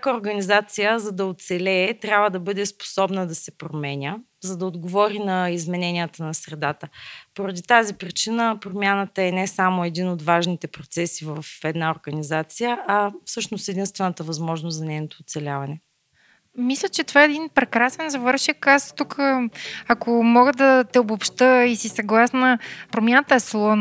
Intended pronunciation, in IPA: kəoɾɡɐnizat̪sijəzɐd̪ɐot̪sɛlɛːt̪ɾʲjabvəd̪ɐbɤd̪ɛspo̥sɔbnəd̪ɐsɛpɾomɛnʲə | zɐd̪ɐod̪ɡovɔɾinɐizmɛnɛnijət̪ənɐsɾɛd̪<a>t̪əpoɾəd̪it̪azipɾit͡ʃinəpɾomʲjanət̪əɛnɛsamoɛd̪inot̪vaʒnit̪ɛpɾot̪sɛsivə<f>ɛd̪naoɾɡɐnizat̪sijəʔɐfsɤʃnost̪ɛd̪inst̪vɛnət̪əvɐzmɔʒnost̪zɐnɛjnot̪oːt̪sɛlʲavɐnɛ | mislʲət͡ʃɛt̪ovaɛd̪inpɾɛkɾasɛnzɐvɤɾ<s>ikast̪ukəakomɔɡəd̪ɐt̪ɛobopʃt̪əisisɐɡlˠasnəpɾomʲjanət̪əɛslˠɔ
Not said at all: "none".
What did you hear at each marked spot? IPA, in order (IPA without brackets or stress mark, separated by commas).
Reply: a, f, ʃ